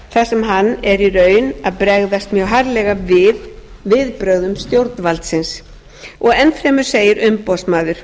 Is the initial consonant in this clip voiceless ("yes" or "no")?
yes